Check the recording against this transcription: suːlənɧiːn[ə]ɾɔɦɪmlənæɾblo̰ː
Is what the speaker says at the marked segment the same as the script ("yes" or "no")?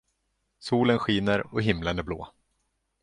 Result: yes